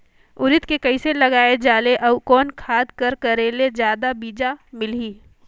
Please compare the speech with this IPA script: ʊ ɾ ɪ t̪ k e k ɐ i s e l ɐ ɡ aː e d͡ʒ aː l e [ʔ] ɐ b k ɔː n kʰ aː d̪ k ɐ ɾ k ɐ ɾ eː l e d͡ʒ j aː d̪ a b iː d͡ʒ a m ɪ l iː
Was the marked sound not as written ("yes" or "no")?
no